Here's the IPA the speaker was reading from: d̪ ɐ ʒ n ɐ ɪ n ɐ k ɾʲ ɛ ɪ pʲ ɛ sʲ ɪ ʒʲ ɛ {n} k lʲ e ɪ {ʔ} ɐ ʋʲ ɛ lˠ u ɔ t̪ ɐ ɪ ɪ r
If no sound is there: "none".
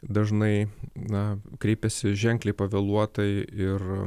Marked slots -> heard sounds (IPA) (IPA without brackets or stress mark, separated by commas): ŋ, p